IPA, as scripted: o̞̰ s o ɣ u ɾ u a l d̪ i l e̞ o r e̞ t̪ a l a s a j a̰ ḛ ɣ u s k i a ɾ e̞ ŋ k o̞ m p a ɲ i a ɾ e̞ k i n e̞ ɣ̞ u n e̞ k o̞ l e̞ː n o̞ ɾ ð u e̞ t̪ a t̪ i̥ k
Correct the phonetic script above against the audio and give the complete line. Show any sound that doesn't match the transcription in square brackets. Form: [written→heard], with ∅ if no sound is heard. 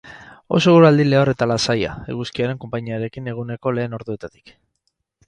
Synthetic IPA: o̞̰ s o ɣ u ɾ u a l d̪ i l e̞ o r e̞ t̪ a l a s a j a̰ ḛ ɣ u s k i a ɾ e̞ ŋ k o̞ m p a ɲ i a ɾ e̞ k i n e̞ ɣ̞ u n e̞ k o̞ l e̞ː n o̞ ɾ ð u e̞ t̪ a t̪ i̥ k

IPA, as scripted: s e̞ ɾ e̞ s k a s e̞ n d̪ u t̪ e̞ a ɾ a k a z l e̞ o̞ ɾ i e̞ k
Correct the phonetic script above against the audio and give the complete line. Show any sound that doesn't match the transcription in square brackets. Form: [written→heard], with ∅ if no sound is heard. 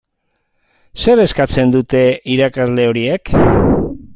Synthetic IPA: s e̞ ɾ e̞ s k a [s→t͡s] e̞ n d̪ u t̪ e̞ [a→i] ɾ a k a z l e̞ o̞ ɾ i e̞ k

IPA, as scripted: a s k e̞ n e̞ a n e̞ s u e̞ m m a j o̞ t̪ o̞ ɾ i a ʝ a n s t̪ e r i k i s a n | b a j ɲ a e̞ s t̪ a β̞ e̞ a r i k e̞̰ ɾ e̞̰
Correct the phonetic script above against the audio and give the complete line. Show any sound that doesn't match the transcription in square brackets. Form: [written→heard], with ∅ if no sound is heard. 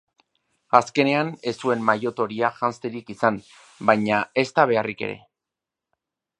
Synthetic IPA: a s k e̞ n e̞ a n e̞ s u e̞ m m a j o̞ t̪ o̞ ɾ i a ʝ a n s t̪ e [r→ɾ] i k i s a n | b a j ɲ a e̞ s t̪ a β̞ e̞ a r i k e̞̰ ɾ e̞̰

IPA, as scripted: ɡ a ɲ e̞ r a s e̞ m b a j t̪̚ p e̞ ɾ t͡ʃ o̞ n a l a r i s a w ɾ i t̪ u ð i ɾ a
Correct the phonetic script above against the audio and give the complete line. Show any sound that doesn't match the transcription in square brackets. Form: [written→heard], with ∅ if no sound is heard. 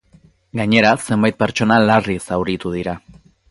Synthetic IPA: ɡ a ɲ e̞ [r→ɾ] a s e̞ m b a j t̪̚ p e̞ ɾ t͡ʃ o̞ n a l a r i s a w ɾ i t̪ u ð i ɾ a

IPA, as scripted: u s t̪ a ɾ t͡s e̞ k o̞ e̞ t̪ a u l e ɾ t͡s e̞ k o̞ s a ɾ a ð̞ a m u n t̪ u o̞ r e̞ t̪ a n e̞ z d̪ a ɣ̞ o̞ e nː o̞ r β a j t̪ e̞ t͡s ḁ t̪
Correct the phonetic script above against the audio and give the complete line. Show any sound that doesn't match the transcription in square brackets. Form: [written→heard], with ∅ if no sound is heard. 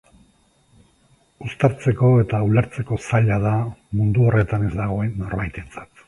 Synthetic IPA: u s t̪ a ɾ t͡s e̞ k o̞ e̞ t̪ a u l e ɾ t͡s e̞ k o̞ s a [ɾ→ʎ] a ð̞ a m u n [t̪→d̪] u o̞ r e̞ t̪ a n e̞ z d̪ a ɣ̞ o̞ e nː o̞ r β a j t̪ e̞ t͡s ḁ t̪

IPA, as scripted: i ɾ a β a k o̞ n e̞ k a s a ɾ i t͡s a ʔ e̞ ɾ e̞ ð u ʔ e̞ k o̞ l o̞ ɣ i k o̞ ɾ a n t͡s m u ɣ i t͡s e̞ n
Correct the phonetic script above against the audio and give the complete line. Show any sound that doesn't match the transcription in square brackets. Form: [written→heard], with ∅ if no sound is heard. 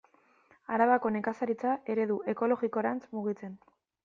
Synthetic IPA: [i→a] ɾ a β a k o̞ n e̞ k a s a ɾ i t͡s a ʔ e̞ ɾ e̞ ð u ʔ e̞ k o̞ l o̞ ɣ i k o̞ ɾ a n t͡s m u ɣ i t͡s e̞ n

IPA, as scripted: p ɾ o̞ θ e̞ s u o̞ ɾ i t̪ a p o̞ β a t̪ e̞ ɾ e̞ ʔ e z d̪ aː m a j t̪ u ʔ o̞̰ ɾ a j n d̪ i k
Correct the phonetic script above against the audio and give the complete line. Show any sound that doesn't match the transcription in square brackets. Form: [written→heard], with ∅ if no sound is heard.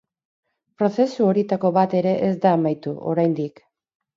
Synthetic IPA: p ɾ o̞ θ e̞ s u o̞ ɾ i t̪ a [p→k] o̞ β a t̪ e̞ ɾ e̞ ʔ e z d̪ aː m a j t̪ u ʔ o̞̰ ɾ a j n d̪ i k

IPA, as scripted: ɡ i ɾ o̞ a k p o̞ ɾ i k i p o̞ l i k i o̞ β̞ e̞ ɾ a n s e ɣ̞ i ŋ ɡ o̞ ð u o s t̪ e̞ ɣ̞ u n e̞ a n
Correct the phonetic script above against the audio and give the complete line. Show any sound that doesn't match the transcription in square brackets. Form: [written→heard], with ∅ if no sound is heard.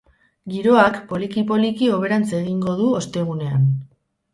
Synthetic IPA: ɡ i ɾ o̞ a k p o̞ [ɾ→l] i k i p o̞ l i k i o̞ β̞ e̞ ɾ a n [s→t͡s] e ɣ̞ i ŋ ɡ o̞ ð u o s t̪ e̞ ɣ̞ u n e̞ a n

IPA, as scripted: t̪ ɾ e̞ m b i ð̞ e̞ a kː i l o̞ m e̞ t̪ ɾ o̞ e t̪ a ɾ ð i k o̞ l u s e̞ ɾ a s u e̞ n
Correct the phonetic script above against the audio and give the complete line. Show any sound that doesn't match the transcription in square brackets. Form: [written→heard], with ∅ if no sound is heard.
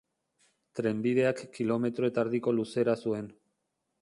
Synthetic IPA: t̪ ɾ e̞ m b i ð̞ e̞ a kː i l o̞ m e̞ t̪ ɾ o̞ e t̪ a ɾ ð i k o̞ l u s e̞ ɾ a s u e̞ n

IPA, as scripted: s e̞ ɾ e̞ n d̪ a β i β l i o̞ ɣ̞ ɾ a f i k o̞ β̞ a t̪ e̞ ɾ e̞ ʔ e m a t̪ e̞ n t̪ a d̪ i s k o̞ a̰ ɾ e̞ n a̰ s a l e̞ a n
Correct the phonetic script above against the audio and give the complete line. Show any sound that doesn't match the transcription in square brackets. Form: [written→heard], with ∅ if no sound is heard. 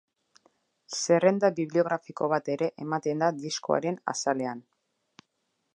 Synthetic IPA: s e̞ [ɾ→r] e̞ n d̪ a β i β l i o̞ ɣ̞ ɾ a f i k o̞ β̞ a t̪ e̞ ɾ e̞ ʔ e m a t̪ e̞ n [t̪→d̪] a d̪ i s k o̞ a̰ ɾ e̞ n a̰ s a l e̞ a n

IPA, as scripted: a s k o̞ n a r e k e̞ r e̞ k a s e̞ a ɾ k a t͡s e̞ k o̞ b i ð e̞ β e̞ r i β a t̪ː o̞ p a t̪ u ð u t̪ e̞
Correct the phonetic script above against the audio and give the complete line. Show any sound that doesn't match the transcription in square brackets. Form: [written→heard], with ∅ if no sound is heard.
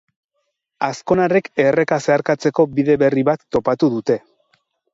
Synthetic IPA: a s k o̞ n a r e k e̞ r e̞ k a s e̞ a ɾ k a t͡s e̞ k o̞ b i ð e̞ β e̞ r i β a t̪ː o̞ p a t̪ u ð u t̪ e̞

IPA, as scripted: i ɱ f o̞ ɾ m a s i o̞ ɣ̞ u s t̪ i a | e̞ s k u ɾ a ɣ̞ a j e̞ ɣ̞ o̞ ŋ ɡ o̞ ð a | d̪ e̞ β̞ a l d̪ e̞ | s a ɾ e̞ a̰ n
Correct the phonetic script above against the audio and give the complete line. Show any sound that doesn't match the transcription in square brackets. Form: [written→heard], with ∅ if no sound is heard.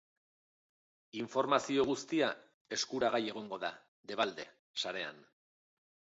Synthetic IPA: i ɱ f o̞ ɾ m a s i o̞ ɣ̞ u s t̪ i a | e̞ s k u ɾ a ɣ̞ a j e̞ ɣ̞ o̞ ŋ ɡ o̞ ð a | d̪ e̞ β̞ a l d̪ e̞ | s a ɾ e̞ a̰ n

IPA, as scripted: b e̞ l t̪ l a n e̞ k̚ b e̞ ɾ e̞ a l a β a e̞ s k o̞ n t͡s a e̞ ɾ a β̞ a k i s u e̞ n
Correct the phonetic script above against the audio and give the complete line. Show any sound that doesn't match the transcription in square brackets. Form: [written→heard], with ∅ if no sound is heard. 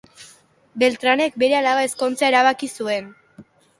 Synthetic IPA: b e̞ l t̪ [l→ɾ] a n e̞ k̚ b e̞ ɾ e̞ a l a β a e̞ s k o̞ n t͡s a e̞ ɾ a β̞ a k i s u e̞ n

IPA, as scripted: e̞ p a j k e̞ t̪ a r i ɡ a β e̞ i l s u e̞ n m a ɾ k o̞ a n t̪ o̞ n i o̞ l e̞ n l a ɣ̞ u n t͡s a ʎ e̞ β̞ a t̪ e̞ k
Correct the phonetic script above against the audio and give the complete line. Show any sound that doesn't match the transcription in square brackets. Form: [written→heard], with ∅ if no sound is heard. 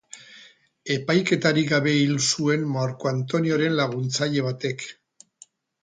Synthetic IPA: e̞ p a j k e̞ t̪ a [r→ɾ] i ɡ a β e̞ i l s u e̞ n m a ɾ k o̞ a n t̪ o̞ n i o̞ [l→ɾ] e̞ n l a ɣ̞ u n t͡s a ʎ e̞ β̞ a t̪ e̞ k

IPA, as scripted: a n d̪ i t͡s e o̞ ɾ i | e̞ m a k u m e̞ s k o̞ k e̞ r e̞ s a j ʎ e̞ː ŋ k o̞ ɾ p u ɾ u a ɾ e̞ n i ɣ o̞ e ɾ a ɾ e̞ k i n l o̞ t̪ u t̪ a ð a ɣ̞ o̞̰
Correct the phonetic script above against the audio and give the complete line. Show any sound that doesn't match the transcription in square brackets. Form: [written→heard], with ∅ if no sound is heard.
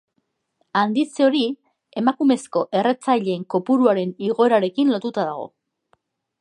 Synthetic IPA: a n d̪ i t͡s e o̞ ɾ i | e̞ m a k u m e̞ s k o̞ [k→ʔ] e̞ r e̞ [s→t͡s] a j ʎ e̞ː ŋ k o̞ [ɾ→∅] p u ɾ u a ɾ e̞ n i ɣ o̞ e ɾ a ɾ e̞ k i n l o̞ t̪ u t̪ a ð a ɣ̞ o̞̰

